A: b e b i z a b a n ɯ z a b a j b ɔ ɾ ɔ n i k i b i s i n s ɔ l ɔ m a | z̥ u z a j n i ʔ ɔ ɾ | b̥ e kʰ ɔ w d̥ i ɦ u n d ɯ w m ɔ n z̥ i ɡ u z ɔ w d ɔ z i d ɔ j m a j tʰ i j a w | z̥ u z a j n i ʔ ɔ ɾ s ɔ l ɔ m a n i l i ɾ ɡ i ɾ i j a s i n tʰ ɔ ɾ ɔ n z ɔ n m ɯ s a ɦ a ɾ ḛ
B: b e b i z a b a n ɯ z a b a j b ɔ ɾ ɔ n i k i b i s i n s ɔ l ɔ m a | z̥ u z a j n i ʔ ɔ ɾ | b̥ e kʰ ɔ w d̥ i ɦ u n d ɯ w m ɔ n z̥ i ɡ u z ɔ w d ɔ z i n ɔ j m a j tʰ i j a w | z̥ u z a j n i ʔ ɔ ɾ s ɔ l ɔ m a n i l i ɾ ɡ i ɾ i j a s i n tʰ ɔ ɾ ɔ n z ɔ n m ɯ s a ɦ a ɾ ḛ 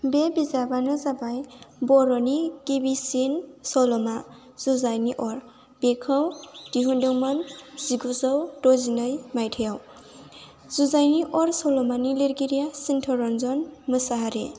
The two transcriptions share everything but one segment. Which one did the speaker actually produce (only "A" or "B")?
B